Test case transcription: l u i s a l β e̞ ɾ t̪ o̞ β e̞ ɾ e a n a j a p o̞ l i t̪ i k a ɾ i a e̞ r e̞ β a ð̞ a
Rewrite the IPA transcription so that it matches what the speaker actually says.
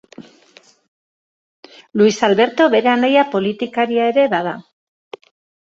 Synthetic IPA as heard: l u i s a l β e̞ ɾ t̪ o̞ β e̞ ɾ e a n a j a p o̞ l i t̪ i k a ɾ i a e̞ ɾ e̞ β a ð̞ a